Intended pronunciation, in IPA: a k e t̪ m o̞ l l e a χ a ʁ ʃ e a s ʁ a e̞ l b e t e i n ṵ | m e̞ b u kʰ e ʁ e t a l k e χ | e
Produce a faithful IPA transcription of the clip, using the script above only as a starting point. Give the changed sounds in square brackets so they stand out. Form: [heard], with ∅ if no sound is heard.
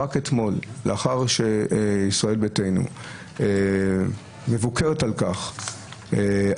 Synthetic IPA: a k e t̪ m o̞ l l e a χ a ʁ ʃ e [i] s ʁ a e̞ l b e t e [j] n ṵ | m e̞ [v] u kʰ e ʁ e t a l k [a] χ | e